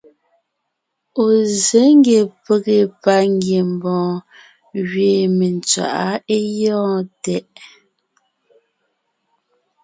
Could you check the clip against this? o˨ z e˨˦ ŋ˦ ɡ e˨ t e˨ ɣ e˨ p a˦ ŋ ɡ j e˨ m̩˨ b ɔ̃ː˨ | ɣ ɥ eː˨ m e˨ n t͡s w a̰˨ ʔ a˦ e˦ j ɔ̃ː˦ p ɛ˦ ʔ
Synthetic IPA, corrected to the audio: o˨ z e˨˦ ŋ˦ ɡ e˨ p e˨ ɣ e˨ p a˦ ŋ ɡ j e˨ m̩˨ b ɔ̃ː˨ | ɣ ɥ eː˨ m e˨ n t͡s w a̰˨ ʔ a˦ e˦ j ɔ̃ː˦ t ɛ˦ ʔ